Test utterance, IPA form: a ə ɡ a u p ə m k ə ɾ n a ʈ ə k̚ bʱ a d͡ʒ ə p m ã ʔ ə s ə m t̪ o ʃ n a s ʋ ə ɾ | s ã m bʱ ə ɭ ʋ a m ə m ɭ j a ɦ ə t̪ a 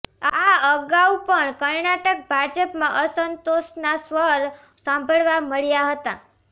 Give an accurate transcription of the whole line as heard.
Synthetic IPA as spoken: a ə ɡ a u p ə ɳ k ə ɾ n a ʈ ə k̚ bʱ a d͡ʒ ə p m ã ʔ ə s ə n t̪ o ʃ n a s ʋ ə ɾ | s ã m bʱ ə ɭ ʋ a m ə ɭ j a ɦ ə t̪ a